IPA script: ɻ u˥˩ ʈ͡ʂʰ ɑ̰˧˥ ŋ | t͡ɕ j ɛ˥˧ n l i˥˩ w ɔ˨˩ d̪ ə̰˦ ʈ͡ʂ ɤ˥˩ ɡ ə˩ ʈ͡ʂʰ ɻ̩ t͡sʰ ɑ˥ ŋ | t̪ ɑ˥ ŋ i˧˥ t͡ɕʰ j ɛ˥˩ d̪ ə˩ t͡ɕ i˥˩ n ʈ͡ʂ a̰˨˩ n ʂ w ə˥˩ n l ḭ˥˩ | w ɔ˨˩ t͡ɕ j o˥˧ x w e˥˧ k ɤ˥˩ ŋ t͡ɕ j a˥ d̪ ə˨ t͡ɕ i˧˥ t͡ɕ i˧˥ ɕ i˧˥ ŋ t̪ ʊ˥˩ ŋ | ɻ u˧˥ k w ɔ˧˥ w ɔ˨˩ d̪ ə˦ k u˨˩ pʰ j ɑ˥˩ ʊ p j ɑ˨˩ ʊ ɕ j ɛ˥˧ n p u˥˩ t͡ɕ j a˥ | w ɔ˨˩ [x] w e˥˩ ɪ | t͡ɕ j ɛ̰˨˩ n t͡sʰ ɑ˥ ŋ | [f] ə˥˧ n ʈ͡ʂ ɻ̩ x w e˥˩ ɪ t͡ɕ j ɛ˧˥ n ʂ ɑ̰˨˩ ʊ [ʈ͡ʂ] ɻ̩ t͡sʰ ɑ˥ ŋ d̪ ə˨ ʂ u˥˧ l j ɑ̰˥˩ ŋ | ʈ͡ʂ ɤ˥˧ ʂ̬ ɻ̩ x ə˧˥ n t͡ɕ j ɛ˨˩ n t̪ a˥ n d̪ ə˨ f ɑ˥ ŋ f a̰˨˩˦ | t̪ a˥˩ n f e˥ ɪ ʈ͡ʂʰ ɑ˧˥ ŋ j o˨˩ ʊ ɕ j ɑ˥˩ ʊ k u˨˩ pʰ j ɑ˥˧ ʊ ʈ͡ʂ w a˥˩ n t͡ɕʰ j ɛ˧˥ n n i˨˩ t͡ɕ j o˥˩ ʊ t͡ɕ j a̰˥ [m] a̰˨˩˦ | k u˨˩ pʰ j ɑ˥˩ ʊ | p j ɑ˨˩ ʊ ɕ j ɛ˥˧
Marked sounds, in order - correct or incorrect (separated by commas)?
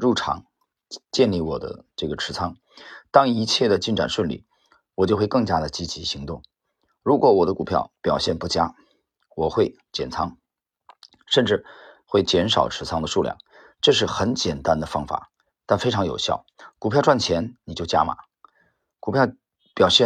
correct, incorrect, incorrect, correct